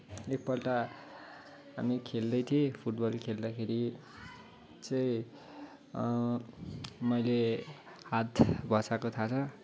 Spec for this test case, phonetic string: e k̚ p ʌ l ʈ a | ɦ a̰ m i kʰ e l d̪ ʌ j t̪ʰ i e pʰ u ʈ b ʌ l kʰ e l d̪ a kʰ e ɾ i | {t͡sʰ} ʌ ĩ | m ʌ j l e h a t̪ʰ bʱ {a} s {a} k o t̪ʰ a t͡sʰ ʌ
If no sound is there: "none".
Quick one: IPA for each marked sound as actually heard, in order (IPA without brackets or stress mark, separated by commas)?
t͡s, ʌ, a